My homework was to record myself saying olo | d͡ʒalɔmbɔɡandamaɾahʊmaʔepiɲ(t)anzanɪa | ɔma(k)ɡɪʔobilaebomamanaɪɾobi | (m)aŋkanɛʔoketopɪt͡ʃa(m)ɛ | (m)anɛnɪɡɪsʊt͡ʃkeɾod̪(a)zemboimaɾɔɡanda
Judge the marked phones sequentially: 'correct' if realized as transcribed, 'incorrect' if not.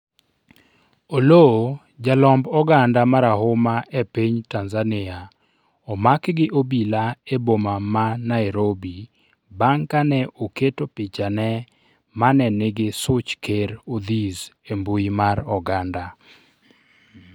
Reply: correct, correct, incorrect, incorrect, correct, incorrect

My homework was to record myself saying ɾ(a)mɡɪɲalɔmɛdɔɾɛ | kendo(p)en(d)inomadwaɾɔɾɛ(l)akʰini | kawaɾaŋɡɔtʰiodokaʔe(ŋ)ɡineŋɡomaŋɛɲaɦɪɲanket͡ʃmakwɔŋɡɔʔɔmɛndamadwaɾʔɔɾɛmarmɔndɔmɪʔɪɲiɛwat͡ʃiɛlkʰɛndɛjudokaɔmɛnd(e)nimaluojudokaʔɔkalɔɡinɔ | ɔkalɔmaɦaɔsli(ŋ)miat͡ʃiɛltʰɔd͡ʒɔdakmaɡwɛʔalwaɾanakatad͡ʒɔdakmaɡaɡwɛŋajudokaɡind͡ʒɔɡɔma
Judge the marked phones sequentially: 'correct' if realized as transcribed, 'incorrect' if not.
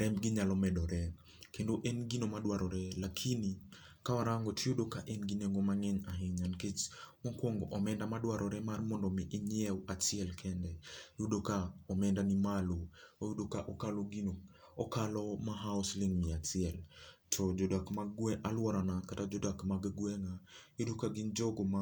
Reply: incorrect, incorrect, incorrect, correct, incorrect, incorrect, correct

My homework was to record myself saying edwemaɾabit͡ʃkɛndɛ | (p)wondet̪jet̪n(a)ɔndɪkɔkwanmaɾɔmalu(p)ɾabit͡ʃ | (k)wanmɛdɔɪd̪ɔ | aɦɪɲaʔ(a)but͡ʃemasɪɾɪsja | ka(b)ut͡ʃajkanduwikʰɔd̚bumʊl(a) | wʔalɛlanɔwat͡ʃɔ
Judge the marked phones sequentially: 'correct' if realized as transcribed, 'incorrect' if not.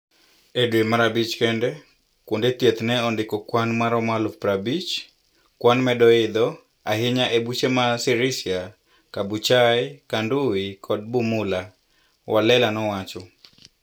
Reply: incorrect, incorrect, correct, correct, incorrect, correct, correct

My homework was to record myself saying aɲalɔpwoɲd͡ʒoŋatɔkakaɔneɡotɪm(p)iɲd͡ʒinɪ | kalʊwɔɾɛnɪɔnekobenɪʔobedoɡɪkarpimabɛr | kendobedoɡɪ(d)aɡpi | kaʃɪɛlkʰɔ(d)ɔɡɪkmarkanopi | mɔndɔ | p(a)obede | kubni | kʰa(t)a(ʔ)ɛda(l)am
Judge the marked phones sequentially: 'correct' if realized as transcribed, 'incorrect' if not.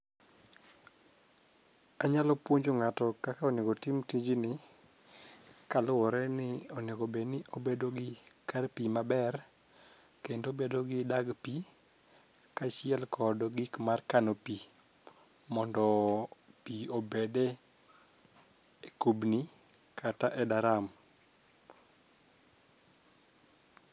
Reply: incorrect, correct, correct, incorrect, correct, correct, incorrect

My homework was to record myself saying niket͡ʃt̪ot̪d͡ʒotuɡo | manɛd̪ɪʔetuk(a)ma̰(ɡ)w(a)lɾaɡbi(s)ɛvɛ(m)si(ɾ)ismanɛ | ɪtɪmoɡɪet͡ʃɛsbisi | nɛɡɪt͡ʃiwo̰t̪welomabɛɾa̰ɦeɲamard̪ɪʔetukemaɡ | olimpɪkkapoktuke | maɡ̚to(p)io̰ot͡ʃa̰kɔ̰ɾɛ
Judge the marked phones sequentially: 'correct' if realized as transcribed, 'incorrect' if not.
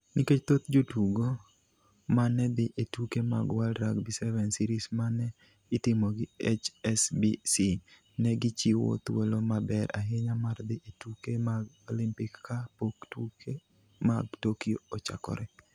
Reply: incorrect, correct, correct, correct, incorrect, correct, incorrect

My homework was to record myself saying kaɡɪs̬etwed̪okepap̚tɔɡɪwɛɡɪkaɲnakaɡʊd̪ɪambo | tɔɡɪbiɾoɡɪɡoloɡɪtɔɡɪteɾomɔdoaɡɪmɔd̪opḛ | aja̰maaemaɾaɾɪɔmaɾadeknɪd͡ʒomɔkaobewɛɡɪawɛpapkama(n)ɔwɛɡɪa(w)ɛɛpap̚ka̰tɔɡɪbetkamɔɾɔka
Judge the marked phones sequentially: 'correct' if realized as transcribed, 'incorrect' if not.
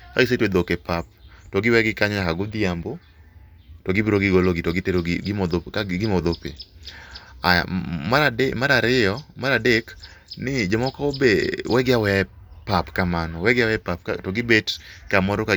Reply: correct, correct

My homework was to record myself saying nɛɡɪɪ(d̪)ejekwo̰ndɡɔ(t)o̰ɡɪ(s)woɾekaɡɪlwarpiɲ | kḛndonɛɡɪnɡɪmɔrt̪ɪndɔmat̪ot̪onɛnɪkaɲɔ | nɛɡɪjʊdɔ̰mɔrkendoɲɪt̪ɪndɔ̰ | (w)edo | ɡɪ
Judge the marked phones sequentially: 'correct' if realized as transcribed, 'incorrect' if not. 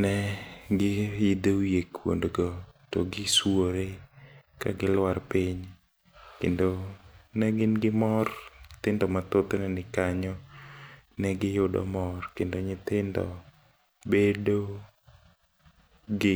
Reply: correct, correct, correct, incorrect

